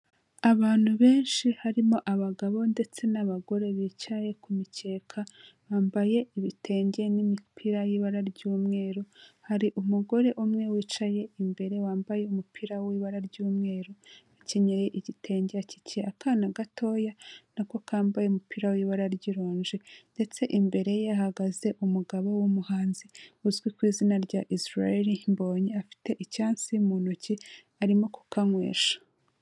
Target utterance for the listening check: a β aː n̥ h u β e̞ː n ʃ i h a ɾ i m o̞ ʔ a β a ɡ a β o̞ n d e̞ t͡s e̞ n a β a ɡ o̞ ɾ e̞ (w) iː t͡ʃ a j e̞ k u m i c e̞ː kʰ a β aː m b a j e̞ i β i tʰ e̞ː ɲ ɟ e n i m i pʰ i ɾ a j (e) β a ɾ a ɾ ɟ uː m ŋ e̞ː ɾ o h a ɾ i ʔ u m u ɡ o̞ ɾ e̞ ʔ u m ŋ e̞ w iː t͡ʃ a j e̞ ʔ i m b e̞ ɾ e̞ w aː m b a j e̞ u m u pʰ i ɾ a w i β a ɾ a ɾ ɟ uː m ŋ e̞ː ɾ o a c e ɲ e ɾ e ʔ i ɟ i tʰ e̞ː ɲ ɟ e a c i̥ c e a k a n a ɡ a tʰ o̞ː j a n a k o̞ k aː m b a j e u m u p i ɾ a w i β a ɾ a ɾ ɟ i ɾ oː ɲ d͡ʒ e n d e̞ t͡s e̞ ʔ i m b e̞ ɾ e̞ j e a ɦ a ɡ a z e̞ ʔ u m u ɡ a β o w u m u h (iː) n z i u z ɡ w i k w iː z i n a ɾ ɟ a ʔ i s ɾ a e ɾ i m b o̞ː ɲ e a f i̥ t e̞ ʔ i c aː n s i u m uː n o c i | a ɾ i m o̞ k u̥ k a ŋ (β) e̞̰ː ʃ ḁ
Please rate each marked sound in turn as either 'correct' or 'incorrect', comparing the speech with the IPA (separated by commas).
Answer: incorrect, incorrect, incorrect, incorrect